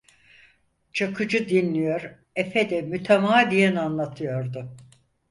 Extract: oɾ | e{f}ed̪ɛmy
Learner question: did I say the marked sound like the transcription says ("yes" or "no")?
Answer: yes